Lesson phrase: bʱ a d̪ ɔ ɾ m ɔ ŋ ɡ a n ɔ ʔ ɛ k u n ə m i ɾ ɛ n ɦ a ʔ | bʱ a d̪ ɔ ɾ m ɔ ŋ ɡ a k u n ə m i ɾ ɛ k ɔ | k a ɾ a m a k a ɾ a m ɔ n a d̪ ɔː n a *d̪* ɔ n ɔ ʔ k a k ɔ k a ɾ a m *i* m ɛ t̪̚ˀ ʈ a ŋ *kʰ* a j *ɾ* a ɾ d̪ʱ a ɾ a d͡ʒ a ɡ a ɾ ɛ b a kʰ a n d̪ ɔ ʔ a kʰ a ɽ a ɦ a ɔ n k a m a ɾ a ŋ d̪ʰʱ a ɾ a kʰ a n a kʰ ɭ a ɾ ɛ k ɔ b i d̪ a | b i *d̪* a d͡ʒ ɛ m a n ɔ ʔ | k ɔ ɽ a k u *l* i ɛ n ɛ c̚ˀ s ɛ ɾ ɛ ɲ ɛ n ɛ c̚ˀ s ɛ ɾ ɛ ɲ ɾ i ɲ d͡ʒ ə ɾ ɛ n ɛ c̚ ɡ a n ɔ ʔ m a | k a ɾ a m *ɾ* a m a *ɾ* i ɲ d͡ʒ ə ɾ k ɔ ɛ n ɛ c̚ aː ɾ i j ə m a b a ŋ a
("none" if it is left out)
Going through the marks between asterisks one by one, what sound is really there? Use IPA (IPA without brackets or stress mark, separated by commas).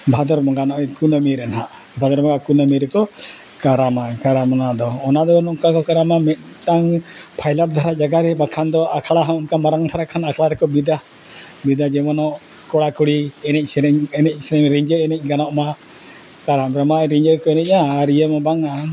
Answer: d̪, a, pʰ, l, d̪, ɽ, ɾ, ɾ